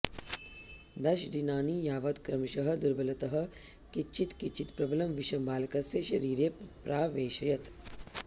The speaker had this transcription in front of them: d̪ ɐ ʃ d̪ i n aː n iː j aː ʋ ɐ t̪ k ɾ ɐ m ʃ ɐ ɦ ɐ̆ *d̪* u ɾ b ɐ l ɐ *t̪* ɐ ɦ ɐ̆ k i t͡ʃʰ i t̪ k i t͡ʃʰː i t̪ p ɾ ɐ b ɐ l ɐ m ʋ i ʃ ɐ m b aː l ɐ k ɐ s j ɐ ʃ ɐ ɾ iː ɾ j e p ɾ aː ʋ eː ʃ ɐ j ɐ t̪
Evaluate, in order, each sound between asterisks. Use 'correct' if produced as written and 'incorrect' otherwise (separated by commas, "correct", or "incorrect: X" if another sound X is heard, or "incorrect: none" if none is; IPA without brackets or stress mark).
correct, correct